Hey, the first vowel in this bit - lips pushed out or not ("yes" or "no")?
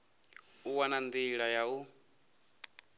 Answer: yes